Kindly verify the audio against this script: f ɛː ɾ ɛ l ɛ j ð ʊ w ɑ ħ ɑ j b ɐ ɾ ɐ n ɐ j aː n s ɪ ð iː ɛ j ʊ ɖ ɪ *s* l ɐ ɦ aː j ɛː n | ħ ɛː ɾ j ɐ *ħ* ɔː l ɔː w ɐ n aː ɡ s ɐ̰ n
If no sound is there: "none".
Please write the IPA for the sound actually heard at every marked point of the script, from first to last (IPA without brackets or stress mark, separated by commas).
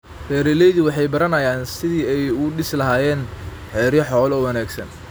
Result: s, ħ